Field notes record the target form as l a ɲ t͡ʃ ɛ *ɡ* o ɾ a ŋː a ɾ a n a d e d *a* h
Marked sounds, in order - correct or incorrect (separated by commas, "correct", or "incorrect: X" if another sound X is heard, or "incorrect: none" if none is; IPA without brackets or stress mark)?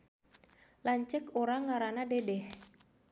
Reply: incorrect: k, incorrect: ɛ